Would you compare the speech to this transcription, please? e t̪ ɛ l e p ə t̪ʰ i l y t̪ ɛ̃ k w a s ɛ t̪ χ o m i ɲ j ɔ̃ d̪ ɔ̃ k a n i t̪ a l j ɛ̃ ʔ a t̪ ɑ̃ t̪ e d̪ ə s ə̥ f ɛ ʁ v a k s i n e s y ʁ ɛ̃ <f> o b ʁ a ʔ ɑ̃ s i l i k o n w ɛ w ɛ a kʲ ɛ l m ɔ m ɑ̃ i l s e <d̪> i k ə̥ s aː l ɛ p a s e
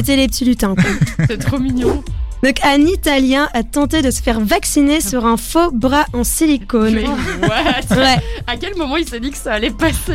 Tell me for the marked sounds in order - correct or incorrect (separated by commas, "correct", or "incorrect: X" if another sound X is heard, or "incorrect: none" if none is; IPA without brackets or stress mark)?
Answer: correct, correct